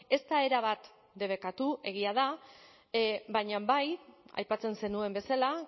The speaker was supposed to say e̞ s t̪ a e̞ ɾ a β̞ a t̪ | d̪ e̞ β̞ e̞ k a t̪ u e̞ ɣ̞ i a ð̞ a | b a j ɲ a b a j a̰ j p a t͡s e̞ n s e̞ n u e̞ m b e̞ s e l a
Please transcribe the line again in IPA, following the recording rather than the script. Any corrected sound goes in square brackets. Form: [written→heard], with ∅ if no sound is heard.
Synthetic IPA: e̞ s t̪ a e̞ ɾ a β̞ a t̪ | d̪ e̞ β̞ e̞ k a t̪ u e̞ ɣ̞ i a ð̞ a | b a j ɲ a b a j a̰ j p a t͡s e̞ n s e̞ n u e̞ m b e̞ s [e→a] l a